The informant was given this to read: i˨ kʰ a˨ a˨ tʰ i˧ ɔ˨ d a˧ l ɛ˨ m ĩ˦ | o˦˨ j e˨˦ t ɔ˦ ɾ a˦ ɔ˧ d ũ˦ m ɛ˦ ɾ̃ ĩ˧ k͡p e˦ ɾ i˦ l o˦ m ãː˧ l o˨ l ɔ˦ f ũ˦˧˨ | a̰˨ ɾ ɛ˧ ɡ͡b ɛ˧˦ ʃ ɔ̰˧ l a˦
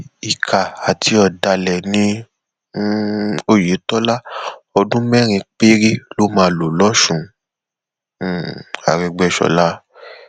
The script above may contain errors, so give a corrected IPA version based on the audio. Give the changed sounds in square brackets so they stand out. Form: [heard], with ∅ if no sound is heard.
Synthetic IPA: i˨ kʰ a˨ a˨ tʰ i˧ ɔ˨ d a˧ l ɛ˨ [n] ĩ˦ | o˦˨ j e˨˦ t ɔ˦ [l] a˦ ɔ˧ d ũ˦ m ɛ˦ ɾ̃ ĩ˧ k͡p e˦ ɾ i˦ l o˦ m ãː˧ l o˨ l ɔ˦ [ʃ] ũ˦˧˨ | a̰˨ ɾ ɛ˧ ɡ͡b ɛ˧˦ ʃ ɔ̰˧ l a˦